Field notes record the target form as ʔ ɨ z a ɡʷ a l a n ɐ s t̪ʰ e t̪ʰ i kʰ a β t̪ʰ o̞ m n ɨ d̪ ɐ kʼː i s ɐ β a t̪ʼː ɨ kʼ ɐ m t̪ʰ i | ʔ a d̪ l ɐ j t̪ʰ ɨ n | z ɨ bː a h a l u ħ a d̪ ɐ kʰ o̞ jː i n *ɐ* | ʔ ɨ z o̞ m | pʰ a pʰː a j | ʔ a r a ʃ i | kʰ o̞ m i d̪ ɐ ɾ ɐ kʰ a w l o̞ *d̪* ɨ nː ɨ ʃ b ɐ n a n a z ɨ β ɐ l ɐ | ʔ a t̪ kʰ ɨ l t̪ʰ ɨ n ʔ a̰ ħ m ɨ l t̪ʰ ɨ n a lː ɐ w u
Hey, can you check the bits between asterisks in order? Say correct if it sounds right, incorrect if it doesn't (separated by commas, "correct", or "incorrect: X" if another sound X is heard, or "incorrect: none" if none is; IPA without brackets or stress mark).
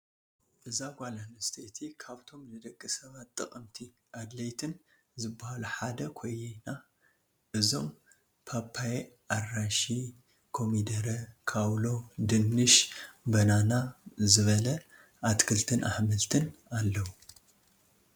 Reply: incorrect: a, correct